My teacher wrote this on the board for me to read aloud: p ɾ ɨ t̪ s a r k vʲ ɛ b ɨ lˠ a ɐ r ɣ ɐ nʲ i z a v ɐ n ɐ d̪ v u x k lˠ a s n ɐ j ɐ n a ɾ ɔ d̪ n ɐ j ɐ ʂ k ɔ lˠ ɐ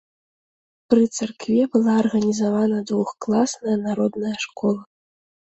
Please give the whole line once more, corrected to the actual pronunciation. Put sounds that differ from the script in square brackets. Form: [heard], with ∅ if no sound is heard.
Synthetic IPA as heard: p ɾ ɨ t̪ s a r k vʲ ɛ b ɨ lˠ a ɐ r ɣ ɐ nʲ i z a v [a] n ɐ d̪ v u x k lˠ a s n ɐ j ɐ n a ɾ ɔ d̪ n ɐ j ɐ ʂ k ɔ lˠ ɐ